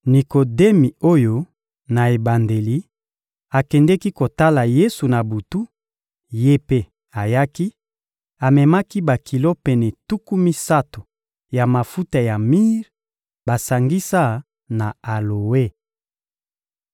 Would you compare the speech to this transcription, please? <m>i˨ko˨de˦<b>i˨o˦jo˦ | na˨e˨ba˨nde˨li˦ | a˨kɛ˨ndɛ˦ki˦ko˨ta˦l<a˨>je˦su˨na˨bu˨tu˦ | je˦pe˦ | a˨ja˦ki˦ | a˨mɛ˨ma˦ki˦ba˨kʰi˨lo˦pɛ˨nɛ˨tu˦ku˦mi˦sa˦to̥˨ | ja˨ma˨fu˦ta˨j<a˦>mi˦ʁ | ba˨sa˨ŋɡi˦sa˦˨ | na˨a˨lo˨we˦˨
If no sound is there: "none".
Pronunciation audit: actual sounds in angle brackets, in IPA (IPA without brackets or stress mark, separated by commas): n, m, a˨, a˨